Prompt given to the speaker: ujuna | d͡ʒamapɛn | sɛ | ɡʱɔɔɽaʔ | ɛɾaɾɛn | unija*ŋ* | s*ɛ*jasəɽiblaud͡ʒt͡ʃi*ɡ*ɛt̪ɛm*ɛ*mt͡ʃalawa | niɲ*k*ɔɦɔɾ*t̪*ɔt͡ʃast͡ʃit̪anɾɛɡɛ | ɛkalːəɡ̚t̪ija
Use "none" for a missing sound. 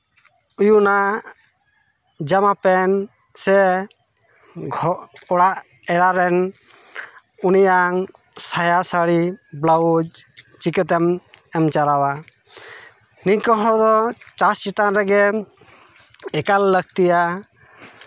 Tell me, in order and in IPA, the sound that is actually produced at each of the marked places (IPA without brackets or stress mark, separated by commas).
ŋ, a, k, ɛ, k, d̪